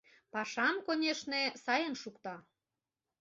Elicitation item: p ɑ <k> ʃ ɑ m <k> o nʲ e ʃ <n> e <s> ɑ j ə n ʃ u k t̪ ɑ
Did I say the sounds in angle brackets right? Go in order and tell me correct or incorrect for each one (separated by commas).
incorrect, correct, correct, correct